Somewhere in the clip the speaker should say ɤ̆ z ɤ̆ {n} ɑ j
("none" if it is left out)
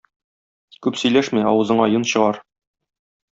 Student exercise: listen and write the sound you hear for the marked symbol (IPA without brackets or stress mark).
ɴ